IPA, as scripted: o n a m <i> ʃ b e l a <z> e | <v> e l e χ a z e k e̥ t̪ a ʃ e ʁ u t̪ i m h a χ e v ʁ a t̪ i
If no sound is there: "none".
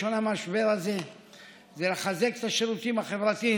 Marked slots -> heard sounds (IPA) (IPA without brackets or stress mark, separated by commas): a, z, z